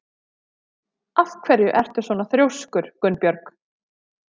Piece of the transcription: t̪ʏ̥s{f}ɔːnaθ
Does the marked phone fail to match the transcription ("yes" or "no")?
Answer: yes